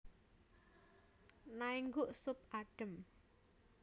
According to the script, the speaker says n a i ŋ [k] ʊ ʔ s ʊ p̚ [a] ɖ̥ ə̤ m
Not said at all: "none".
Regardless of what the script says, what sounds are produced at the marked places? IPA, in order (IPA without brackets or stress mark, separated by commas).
ɡ, a